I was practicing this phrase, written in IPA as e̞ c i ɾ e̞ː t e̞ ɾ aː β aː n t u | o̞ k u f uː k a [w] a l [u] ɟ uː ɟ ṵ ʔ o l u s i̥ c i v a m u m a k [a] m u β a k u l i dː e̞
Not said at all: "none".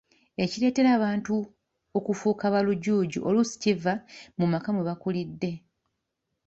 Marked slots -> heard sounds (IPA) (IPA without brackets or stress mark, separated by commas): β, u, a